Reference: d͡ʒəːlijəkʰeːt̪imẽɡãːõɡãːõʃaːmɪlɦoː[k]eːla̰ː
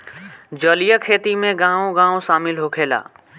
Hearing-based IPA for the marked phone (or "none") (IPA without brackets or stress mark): kʰ